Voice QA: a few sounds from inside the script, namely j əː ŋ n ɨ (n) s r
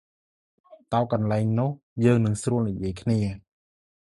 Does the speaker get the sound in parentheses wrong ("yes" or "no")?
yes